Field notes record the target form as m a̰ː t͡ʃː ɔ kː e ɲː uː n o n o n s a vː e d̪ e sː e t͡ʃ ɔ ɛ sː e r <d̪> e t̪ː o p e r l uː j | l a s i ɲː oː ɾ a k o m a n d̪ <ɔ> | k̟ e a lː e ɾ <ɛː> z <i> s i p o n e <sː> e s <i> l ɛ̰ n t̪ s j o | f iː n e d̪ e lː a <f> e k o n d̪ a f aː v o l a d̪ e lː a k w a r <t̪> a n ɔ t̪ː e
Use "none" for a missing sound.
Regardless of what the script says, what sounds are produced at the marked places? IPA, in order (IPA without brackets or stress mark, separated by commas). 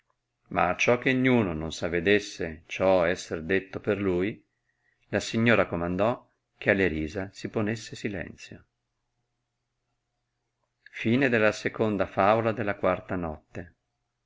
d̪, ɔ, iː, a, sː, i, s, t̪